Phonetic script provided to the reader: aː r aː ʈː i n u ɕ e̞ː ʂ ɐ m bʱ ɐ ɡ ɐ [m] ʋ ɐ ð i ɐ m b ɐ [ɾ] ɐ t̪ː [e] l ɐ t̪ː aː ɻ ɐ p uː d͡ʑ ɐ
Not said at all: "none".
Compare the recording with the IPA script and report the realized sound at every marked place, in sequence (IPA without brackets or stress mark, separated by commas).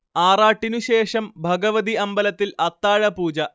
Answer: none, l, i